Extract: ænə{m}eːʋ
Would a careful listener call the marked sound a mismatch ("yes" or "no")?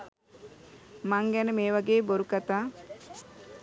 no